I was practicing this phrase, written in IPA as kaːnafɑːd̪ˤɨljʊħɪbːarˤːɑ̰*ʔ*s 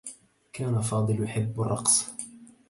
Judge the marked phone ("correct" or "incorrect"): incorrect